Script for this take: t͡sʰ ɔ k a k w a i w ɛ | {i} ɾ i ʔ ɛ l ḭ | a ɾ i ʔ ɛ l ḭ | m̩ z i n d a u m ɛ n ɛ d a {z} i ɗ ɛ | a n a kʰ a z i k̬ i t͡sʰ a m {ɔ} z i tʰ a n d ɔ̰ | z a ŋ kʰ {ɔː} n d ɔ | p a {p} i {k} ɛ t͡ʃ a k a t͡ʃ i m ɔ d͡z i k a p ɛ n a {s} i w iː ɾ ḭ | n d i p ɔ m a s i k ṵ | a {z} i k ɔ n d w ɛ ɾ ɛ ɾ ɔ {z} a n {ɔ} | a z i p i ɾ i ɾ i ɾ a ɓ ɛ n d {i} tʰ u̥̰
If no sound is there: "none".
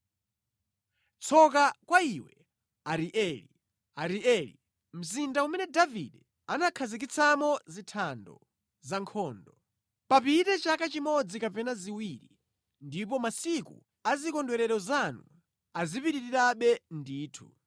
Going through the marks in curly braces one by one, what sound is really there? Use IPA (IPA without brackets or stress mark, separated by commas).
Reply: a, v, ɔ, ɔː, p, t, z, z, z, u, iː